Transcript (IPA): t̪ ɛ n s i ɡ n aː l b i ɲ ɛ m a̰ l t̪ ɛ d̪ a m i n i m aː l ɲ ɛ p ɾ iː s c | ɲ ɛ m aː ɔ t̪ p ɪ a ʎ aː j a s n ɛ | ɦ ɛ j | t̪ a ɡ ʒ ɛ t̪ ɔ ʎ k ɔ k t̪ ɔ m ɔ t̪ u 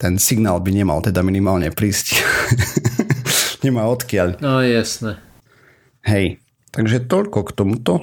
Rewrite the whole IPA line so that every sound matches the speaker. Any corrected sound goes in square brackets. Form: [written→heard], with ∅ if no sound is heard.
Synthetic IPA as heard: t̪ ɛ n s i ɡ n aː l b i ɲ ɛ m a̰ l t̪ ɛ d̪ a m i n i m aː l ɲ ɛ p ɾ iː s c | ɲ ɛ m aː ɔ t̪ [p→k] ɪ a ʎ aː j a s n ɛ | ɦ ɛ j | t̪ a ɡ ʒ ɛ t̪ ɔ ʎ k ɔ k t̪ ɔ m [ɔ→u] t̪ [u→ɔ]